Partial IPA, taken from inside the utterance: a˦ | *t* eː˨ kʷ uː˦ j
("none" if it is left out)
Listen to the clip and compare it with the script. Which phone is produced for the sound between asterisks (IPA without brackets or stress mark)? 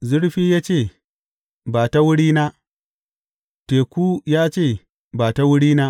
t